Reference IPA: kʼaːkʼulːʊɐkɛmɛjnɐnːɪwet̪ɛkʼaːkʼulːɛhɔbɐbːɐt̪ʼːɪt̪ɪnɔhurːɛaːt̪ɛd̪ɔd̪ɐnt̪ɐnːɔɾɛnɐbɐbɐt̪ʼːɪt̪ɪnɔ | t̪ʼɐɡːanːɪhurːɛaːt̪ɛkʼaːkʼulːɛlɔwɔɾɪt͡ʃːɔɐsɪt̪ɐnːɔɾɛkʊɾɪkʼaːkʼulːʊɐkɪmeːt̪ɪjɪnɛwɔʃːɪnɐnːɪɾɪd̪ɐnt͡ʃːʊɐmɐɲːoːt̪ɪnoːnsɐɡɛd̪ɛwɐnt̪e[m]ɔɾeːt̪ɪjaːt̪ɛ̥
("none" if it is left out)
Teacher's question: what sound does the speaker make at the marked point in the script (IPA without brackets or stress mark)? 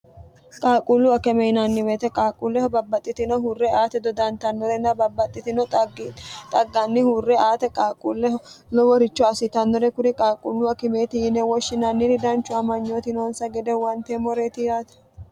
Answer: m